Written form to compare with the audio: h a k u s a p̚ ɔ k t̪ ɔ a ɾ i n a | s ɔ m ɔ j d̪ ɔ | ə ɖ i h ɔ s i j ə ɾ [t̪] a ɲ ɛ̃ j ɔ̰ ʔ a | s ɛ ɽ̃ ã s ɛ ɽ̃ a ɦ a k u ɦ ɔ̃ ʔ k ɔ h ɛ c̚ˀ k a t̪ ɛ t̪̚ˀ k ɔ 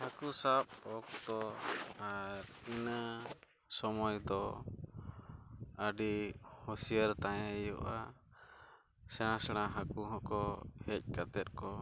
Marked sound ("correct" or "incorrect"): correct